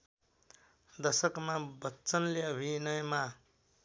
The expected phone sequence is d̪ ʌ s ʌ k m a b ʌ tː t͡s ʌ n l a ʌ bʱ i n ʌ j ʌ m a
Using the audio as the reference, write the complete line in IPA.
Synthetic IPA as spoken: d̪ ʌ s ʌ k m a b ʌ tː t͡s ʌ n l e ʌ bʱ i n ʌ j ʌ m a

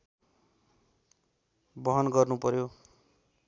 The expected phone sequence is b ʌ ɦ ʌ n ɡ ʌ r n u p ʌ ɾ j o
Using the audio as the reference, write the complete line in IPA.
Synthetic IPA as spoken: b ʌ ɦ ʌ n ɡ ʌ r n u p ʌ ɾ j o

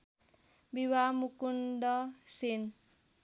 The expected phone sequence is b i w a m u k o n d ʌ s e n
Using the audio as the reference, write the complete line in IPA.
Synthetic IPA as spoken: b i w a m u k u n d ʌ s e n

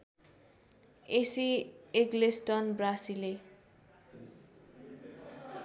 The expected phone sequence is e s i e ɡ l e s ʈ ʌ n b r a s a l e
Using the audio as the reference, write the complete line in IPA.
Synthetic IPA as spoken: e s i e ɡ l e s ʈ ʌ n b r a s i l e

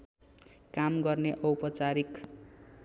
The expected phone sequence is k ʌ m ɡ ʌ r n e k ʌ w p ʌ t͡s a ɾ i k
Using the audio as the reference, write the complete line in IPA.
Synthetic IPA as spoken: k a m ɡ ʌ r n e ʔ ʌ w p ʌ t͡s a ɾ i k

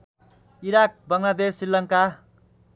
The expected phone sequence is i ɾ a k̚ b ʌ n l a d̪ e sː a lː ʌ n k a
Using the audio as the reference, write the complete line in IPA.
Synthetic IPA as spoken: i ɾ a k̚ b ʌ ŋ l a d̪ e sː i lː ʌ ŋ k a

